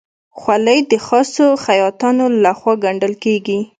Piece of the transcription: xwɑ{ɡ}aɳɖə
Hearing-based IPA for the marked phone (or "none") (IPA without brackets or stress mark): ɡ